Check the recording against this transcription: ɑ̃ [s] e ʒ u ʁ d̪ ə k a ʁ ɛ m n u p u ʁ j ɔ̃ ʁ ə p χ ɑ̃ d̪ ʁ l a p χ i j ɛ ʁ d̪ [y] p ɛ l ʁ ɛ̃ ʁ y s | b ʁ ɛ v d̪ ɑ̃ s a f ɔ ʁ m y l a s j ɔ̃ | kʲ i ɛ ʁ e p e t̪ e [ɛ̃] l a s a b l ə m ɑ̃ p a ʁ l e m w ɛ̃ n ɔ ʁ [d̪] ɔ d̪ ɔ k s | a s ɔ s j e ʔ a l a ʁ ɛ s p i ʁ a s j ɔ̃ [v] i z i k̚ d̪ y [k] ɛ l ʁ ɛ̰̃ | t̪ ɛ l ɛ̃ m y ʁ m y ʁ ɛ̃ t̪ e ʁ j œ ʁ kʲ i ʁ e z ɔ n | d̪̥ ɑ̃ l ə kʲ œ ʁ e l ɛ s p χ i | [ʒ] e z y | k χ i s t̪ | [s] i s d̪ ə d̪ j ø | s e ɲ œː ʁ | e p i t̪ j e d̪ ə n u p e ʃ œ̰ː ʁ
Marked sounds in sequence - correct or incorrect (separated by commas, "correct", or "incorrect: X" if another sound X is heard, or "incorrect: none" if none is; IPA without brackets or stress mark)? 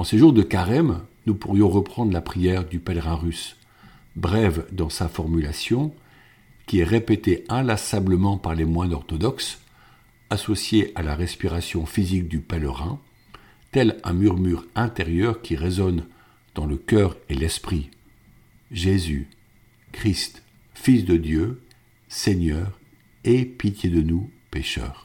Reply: correct, correct, correct, incorrect: t̪, incorrect: f, incorrect: p, correct, incorrect: f